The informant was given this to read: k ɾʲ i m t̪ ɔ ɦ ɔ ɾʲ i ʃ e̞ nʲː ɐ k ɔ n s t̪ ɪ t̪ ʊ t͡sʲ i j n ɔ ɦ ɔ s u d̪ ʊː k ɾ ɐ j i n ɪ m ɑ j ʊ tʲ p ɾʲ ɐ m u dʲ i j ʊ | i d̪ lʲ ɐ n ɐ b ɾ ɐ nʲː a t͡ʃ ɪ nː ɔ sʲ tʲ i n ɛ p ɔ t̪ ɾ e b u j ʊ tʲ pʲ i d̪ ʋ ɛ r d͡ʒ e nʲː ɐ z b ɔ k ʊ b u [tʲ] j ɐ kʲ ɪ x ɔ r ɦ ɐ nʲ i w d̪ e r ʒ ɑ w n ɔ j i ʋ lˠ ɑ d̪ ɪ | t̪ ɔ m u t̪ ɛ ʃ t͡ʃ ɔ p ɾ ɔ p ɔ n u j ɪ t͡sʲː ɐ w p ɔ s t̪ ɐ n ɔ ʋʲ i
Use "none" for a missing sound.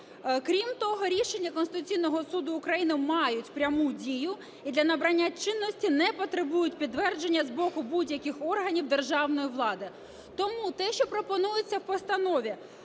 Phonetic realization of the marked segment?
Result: dʲ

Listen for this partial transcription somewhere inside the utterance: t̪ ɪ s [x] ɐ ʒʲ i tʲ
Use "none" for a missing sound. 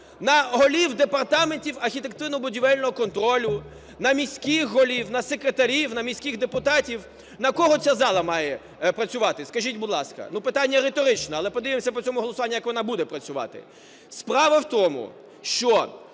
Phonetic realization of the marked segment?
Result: k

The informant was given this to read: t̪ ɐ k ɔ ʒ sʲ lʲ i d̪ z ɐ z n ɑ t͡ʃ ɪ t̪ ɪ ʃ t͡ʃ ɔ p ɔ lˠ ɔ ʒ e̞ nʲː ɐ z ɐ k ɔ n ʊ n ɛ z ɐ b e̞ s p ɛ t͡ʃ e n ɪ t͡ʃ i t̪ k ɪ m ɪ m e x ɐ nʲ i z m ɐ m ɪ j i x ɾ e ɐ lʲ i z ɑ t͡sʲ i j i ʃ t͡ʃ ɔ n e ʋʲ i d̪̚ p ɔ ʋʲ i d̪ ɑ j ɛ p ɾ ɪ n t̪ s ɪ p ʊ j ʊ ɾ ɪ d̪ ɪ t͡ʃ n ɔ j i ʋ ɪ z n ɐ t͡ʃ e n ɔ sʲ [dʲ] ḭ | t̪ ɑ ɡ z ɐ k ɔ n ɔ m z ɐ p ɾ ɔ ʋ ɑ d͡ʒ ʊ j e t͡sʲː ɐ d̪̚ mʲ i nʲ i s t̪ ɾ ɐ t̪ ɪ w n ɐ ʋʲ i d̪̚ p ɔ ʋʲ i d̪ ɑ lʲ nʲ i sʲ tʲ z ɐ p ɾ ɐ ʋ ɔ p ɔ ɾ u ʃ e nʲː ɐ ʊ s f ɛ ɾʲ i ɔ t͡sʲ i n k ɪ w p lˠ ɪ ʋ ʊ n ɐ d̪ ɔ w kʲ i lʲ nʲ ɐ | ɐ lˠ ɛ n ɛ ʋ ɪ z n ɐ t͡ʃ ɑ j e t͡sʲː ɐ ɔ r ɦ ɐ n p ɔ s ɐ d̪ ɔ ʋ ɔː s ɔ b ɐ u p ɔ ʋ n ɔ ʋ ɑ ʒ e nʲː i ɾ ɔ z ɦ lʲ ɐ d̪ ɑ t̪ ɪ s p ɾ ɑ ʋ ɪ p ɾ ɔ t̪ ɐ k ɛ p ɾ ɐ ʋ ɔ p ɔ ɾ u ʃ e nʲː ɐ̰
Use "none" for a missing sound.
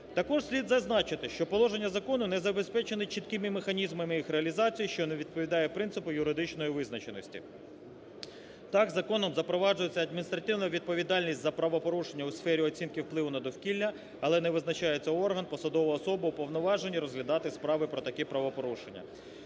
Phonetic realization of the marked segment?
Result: tʲ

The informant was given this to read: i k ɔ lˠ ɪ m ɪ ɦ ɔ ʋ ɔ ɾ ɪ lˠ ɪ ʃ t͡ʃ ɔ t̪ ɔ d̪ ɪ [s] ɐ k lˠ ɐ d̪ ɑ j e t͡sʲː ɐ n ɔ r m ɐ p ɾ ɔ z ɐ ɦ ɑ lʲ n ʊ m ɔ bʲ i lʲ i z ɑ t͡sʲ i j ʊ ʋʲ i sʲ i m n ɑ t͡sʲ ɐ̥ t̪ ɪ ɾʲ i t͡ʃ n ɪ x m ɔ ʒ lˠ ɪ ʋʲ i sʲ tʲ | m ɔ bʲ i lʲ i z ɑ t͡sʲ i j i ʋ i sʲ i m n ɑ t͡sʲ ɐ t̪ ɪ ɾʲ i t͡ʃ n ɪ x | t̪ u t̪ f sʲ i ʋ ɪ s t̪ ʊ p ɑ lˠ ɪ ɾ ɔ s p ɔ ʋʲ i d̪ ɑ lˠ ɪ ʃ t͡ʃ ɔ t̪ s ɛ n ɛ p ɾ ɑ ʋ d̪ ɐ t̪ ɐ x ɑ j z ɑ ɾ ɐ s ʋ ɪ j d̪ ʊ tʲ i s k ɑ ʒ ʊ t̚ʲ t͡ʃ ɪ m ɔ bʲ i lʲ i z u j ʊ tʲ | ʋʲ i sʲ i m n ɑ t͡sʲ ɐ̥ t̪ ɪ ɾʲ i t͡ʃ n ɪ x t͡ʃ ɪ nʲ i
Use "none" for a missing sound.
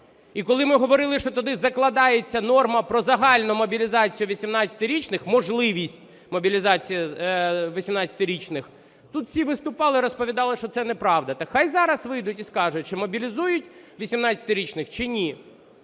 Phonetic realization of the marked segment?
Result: z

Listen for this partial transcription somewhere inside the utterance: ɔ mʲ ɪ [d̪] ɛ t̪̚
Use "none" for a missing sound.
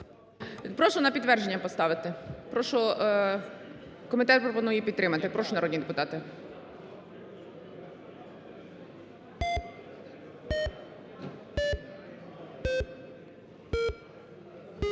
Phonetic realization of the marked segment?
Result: t̪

